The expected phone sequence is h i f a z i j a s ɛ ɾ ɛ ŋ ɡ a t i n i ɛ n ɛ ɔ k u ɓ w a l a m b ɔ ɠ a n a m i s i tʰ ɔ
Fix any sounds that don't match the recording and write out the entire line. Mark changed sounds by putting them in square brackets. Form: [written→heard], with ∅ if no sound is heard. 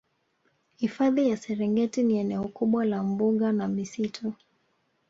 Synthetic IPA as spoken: h i f a [z→ð] i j a s ɛ ɾ ɛ ŋ ɡ [a→ɛ] t i n i ɛ n ɛ ɔ k u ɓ w a l a m b [ɔ→u] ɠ a n a m i s i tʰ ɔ